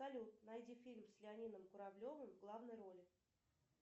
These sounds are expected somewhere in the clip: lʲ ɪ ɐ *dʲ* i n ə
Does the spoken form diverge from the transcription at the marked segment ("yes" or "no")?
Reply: yes